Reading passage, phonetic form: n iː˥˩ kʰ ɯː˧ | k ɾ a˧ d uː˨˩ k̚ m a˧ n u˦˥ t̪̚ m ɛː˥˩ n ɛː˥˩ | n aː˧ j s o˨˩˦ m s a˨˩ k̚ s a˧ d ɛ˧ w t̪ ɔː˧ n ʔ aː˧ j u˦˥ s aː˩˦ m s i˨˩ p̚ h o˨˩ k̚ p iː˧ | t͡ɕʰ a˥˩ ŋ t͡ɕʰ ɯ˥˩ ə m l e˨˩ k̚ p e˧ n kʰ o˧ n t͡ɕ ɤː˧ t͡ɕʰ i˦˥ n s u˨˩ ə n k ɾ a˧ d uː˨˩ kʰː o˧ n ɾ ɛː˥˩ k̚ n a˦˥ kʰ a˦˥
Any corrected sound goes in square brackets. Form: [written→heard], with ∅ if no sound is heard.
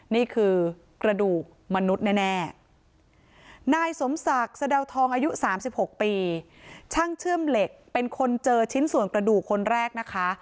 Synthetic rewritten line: n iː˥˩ kʰ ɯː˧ | k ɾ a˧ d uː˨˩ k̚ m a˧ n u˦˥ t̪̚ [m→n] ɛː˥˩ n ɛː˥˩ | n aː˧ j s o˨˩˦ m s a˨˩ k̚ s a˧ d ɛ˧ w [t̪→t̪ʰ] ɔː˧ [n→ŋ] ʔ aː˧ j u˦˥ s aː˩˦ m s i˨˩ p̚ h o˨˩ k̚ p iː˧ | t͡ɕʰ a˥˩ ŋ t͡ɕʰ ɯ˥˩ ə m l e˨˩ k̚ p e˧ n kʰ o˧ n t͡ɕ ɤː˧ t͡ɕʰ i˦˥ n s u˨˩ ə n k ɾ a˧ d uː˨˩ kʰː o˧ n ɾ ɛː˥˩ k̚ n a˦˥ kʰ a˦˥